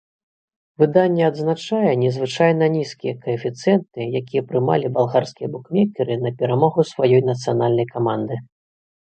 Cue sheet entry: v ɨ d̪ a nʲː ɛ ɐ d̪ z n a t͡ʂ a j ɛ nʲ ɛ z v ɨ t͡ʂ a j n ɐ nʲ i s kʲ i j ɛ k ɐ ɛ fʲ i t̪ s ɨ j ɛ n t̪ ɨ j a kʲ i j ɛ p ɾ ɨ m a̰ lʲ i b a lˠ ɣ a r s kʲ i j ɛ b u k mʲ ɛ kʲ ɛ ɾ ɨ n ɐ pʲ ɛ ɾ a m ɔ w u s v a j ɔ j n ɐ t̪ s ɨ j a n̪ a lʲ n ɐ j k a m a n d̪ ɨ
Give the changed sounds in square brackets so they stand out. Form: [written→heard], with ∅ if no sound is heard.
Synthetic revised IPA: v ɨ d̪ a nʲː ɛ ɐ d̪ z n a t͡ʂ a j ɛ nʲ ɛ z v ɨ t͡ʂ a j n ɐ nʲ i s kʲ i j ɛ k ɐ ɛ fʲ i t̪ s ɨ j ɛ n t̪ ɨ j a kʲ i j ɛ p ɾ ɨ m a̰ lʲ i b a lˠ ɣ a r s kʲ i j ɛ b u k mʲ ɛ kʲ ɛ ɾ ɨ n ɐ pʲ ɛ ɾ a m ɔ [w→ɣ] u s v a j ɔ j n ɐ t̪ s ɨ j a n̪ a lʲ n ɐ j k a m a n d̪ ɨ

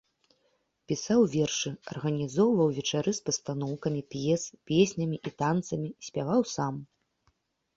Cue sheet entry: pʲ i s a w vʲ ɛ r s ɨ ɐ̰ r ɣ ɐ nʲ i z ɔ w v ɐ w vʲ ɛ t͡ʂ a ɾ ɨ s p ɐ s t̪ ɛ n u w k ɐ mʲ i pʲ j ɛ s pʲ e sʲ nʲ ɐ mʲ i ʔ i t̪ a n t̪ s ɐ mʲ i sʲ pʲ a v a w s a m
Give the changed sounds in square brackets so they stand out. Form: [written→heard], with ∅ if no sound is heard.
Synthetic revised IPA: pʲ i s a w vʲ ɛ r [s→ʂ] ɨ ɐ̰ r ɣ ɐ nʲ i z ɔ w v ɐ w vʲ ɛ t͡ʂ a ɾ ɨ s p ɐ s t̪ [ɛ→a] n [u→ɔ] w k ɐ mʲ i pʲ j ɛ s pʲ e sʲ nʲ ɐ mʲ i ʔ i t̪ a n t̪ s ɐ mʲ i sʲ pʲ a v a w s a m

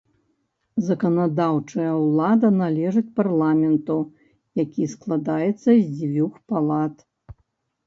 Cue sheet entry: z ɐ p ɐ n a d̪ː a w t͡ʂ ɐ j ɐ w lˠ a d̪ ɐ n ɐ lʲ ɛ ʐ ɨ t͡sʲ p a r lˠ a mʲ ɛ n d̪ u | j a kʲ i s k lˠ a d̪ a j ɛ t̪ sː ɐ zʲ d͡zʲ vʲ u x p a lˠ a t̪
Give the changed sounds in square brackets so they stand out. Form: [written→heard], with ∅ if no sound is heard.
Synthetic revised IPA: z ɐ [p→k] ɐ n a [d̪ː→d̪] a w t͡ʂ ɐ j ɐ w lˠ a d̪ ɐ n [ɐ→a] lʲ ɛ ʐ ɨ t͡sʲ p a r lˠ a mʲ ɛ n [d̪→t̪] u | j a kʲ i s k lˠ a d̪ a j ɛ t̪ sː ɐ zʲ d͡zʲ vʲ u x p a lˠ a t̪

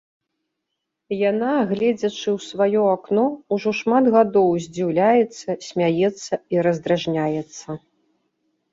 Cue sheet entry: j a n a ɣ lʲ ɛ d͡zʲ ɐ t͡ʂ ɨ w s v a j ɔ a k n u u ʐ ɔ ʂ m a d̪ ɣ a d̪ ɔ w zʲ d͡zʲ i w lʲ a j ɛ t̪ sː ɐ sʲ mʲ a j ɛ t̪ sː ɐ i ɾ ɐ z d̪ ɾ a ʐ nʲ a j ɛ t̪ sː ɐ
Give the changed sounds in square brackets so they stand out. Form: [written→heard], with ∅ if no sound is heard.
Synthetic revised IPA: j a n a ɣ lʲ ɛ d͡zʲ ɐ t͡ʂ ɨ w s v a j ɔ a k n [u→ɔ] u ʐ ɔ ʂ m a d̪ ɣ a d̪ ɔ w zʲ d͡zʲ i w lʲ a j ɛ t̪ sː ɐ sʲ mʲ a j ɛ t̪ sː ɐ i ɾ ɐ z d̪ ɾ a ʐ nʲ a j ɛ t̪ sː ɐ

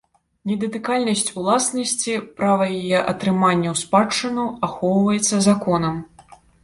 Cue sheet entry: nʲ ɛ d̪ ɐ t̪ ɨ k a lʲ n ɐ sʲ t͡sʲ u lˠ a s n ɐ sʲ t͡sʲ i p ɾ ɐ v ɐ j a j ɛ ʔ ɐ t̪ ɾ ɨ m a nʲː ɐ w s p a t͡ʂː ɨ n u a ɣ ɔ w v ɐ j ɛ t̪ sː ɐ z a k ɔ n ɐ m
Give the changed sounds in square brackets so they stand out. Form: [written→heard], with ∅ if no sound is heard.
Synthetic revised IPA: nʲ ɛ d̪ ɐ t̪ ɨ k a lʲ n ɐ sʲ t͡sʲ u lˠ a s n ɐ sʲ t͡sʲ i p ɾ [ɐ→a] v ɐ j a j ɛ ʔ ɐ t̪ ɾ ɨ m a nʲː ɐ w s p a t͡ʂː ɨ n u a [ɣ→x] ɔ w v ɐ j ɛ t̪ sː ɐ z a k ɔ n ɐ m

